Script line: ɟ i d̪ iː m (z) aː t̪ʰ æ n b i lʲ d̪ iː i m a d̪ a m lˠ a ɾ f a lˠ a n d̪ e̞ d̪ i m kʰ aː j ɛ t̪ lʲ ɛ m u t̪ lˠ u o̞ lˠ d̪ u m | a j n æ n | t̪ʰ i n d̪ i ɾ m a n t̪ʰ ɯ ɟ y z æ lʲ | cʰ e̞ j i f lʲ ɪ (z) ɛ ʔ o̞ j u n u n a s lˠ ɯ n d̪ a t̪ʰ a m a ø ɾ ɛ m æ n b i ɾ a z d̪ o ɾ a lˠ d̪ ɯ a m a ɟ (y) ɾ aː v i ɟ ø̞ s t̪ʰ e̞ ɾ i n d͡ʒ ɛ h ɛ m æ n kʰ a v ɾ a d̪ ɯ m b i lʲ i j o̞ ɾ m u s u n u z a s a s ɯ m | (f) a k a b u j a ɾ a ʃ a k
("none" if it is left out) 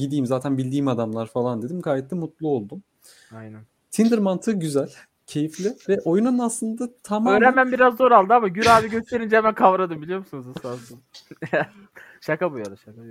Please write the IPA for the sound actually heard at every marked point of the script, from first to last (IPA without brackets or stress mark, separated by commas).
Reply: z, v, y, ʃ